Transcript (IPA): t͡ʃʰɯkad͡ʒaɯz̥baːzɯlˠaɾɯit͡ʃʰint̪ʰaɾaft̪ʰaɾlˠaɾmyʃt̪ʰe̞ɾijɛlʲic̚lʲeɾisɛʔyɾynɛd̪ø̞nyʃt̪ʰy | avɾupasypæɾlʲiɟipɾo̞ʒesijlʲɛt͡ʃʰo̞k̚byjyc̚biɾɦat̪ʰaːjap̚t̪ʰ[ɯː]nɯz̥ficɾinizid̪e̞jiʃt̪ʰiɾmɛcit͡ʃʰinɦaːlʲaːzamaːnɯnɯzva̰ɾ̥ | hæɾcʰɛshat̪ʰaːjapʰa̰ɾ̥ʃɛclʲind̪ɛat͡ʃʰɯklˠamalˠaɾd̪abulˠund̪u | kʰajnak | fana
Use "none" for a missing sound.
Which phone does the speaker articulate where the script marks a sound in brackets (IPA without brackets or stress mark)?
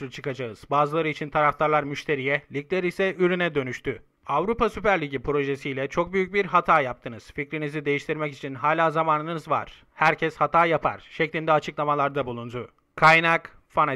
ɯ